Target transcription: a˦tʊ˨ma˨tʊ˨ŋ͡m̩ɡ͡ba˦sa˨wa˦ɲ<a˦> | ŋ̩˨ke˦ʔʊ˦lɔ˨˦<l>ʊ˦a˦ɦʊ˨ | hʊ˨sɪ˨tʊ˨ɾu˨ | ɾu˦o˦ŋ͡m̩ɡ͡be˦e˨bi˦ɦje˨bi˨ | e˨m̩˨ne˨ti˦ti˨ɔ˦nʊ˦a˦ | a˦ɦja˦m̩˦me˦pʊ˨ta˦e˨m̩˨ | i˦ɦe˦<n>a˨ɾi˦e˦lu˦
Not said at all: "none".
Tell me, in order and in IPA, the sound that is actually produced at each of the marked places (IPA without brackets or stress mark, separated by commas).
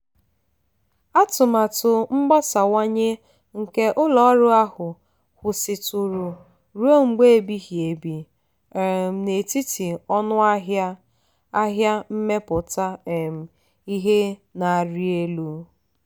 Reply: e˦, ɾ, n